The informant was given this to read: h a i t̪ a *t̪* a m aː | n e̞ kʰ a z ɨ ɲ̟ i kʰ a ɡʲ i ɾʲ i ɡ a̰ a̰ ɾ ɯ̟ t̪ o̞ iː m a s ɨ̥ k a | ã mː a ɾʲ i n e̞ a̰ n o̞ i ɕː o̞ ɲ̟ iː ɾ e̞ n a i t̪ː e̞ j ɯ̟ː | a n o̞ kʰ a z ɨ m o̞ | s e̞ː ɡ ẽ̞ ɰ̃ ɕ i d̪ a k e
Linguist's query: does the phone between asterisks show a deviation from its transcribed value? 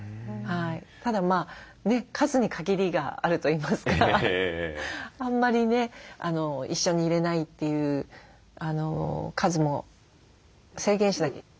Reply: yes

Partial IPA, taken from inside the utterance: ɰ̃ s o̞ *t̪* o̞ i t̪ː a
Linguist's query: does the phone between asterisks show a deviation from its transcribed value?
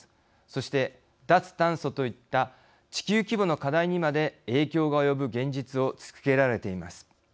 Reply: no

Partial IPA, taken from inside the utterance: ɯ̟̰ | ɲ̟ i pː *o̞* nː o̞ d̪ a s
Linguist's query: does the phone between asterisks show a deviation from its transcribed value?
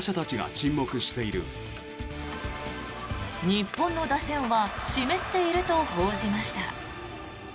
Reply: yes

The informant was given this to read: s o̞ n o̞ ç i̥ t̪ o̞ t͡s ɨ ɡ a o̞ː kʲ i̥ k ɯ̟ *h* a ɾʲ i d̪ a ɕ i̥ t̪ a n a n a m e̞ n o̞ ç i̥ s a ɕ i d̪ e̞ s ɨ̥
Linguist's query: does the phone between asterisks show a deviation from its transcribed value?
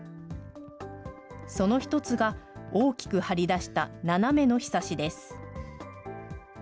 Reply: no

